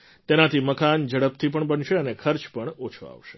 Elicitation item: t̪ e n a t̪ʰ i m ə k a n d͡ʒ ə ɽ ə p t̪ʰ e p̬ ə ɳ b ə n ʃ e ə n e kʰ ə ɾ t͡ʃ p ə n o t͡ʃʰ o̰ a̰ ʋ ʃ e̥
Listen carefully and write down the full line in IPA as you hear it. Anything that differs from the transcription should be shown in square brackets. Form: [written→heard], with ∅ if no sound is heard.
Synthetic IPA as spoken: t̪ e n a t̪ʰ i m ə k a n d͡ʒ ə ɽ ə p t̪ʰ [e→i] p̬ ə ɳ b ə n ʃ e ə n e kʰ ə ɾ t͡ʃ p ə [n→ɳ] o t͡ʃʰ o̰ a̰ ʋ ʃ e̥